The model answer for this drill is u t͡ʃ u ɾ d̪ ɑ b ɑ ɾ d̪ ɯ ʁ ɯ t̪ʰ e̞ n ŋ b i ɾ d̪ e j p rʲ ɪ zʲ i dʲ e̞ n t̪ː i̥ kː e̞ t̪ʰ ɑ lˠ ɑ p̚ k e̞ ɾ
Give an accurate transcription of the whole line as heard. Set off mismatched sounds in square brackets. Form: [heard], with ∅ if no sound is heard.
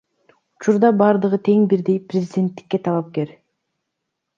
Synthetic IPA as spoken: u t͡ʃ u ɾ d̪ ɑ b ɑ ɾ d̪ ɯ ʁ ɯ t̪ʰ e̞ [∅] ŋ b i ɾ d̪ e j p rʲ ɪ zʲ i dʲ e̞ n t̪ː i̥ kː e̞ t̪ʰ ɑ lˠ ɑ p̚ k e̞ ɾ